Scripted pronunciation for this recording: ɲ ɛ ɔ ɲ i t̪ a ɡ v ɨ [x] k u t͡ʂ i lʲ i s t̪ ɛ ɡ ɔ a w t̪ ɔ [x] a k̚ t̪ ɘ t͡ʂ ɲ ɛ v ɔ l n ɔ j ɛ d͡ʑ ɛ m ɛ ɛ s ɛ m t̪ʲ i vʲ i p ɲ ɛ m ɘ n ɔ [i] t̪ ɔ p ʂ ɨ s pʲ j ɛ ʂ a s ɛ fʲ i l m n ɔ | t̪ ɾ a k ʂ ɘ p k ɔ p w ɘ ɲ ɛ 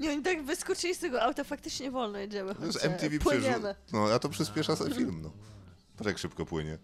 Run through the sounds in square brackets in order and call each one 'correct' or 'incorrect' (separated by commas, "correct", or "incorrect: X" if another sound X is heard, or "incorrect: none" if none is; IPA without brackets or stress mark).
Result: incorrect: s, incorrect: f, incorrect: a